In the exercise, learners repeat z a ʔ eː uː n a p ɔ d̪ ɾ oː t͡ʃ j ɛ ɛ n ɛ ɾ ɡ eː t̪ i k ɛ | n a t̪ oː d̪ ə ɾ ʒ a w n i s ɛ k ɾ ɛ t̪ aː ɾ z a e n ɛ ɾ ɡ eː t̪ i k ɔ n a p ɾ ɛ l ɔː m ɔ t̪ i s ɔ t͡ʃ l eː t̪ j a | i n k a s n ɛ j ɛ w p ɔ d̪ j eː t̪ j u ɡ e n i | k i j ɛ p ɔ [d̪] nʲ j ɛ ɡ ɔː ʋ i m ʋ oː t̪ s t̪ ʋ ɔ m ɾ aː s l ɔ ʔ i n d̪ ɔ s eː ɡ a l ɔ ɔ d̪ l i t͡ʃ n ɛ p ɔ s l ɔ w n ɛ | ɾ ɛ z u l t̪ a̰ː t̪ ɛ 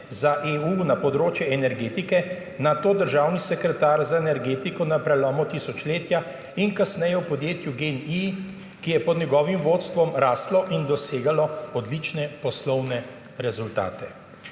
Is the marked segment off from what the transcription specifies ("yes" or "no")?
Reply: no